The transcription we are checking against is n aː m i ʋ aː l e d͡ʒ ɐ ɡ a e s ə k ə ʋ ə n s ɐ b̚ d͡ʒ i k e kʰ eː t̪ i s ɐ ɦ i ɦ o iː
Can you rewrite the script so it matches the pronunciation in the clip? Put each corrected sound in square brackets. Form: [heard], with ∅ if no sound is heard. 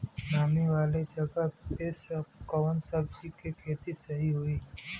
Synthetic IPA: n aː m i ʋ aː l e d͡ʒ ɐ ɡ a e s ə k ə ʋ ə n s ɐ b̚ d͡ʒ i k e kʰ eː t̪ i s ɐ ɦ i ɦ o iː